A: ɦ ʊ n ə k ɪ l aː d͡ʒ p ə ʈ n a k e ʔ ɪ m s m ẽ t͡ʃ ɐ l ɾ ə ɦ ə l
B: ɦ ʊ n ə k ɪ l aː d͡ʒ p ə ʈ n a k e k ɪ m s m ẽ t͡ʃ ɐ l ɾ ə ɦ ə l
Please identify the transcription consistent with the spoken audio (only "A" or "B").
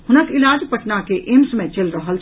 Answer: A